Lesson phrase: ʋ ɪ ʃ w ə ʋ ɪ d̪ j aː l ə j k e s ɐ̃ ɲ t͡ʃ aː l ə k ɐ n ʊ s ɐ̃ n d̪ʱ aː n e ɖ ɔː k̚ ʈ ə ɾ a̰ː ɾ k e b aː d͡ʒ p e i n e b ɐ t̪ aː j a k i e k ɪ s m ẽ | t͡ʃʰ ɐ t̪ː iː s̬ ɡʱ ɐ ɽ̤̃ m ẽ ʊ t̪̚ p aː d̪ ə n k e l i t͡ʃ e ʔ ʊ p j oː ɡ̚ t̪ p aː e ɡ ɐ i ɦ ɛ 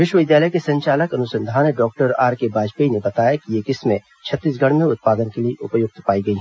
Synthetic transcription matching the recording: ʋ ɪ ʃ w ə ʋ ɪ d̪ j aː l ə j k e s ɐ̃ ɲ t͡ʃ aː l ə k ɐ n ʊ s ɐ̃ n d̪ʱ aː n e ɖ ɔː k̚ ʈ ə ɾ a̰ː ɾ k e b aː d͡ʒ p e i n e b ɐ t̪ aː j a k i e k ɪ s m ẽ | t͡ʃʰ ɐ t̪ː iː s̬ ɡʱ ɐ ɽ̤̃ m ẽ ʊ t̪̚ p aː d̪ ə n k e l i e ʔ ʊ p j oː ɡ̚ t̪ p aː i ɡ ɐ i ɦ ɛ